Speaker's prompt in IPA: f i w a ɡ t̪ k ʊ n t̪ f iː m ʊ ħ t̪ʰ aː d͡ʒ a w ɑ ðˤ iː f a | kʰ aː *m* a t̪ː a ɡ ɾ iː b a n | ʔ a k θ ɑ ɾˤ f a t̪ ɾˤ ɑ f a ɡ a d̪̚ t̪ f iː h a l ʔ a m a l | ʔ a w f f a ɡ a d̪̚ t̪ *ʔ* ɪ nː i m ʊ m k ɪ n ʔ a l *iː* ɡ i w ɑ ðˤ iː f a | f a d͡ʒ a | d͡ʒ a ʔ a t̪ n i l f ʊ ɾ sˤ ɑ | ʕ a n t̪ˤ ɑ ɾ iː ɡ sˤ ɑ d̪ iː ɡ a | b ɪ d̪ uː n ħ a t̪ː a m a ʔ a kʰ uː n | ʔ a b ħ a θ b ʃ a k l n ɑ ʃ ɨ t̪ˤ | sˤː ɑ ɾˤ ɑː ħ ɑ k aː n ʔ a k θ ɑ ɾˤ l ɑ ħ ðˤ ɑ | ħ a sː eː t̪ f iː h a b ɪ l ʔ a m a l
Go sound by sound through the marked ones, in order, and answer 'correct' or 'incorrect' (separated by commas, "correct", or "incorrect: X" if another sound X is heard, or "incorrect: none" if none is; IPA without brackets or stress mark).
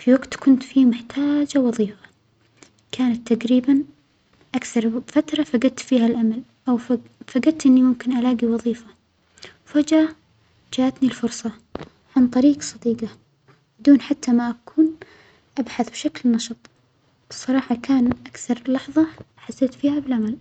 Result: incorrect: n, correct, incorrect: aː